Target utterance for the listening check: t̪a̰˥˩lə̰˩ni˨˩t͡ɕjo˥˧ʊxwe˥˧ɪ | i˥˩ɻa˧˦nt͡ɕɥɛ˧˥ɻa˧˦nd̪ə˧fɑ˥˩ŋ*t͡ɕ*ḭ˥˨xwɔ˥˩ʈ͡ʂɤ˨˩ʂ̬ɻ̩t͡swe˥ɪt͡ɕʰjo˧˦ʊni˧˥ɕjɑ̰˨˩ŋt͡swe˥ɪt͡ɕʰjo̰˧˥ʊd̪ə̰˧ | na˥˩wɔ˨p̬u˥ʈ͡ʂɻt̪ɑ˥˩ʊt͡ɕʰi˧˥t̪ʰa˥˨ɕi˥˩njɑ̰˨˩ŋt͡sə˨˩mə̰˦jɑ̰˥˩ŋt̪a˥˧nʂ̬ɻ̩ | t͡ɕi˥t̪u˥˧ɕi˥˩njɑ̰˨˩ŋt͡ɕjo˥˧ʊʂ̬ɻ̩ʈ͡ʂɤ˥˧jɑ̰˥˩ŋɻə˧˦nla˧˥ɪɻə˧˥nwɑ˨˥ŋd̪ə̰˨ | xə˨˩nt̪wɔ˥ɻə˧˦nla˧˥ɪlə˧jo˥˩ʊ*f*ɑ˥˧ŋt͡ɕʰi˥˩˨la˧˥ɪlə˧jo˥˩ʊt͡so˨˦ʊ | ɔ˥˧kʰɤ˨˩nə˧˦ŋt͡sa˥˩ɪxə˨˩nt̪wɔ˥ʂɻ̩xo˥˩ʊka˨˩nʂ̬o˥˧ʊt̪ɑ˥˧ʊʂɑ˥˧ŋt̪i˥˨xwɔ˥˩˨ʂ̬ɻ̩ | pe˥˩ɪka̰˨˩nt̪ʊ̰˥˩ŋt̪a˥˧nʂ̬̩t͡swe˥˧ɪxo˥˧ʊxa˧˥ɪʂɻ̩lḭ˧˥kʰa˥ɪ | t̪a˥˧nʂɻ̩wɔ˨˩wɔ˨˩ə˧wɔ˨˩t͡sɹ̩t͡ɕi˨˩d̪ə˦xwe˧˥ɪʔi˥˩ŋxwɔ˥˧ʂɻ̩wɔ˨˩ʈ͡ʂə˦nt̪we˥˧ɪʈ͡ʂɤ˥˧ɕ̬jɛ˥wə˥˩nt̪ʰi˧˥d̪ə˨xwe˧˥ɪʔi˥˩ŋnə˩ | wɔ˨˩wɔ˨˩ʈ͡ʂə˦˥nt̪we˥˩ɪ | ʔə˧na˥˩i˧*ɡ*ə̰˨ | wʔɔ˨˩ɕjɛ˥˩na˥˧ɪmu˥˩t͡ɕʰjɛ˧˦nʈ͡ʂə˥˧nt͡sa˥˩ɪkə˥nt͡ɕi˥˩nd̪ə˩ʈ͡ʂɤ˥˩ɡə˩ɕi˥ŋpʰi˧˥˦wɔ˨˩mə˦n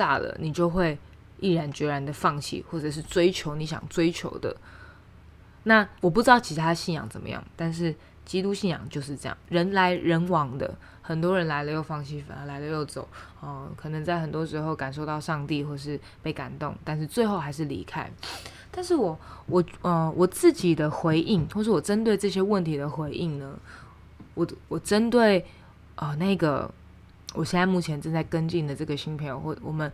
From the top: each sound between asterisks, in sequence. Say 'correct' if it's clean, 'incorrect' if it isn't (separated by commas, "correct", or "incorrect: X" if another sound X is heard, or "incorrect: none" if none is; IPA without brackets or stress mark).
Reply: incorrect: t͡ɕʰ, correct, correct